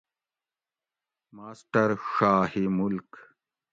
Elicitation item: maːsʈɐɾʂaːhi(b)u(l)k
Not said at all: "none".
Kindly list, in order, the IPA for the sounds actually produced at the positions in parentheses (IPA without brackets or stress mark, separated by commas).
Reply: m, l